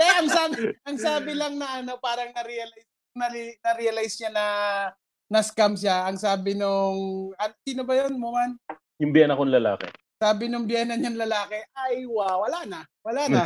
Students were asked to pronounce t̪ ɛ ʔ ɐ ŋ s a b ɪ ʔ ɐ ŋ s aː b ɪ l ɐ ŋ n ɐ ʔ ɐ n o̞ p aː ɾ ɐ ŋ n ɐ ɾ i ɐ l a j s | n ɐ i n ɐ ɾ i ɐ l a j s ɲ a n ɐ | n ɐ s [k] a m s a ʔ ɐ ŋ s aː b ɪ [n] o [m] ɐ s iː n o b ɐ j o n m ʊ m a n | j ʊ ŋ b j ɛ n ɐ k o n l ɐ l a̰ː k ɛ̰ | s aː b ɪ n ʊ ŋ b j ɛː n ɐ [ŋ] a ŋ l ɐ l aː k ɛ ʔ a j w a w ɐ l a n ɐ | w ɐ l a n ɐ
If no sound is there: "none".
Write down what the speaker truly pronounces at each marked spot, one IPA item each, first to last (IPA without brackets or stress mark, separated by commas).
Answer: k, n, ŋ, ɲ